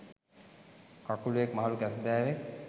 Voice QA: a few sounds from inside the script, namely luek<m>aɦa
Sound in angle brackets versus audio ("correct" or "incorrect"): correct